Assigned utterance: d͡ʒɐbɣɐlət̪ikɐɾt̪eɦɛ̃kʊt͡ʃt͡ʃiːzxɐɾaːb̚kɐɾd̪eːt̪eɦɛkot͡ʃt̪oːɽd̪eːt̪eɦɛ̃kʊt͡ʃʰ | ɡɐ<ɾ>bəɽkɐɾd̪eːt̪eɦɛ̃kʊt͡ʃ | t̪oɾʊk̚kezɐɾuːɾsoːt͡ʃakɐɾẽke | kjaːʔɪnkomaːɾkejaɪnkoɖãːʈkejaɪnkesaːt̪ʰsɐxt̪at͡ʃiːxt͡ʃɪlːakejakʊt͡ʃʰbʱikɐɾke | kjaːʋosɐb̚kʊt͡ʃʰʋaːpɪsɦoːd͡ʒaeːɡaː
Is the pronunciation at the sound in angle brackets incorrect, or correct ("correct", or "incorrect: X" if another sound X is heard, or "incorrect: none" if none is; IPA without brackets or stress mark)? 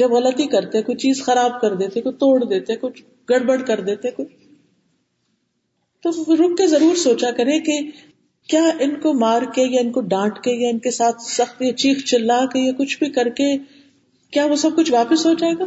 incorrect: ɽ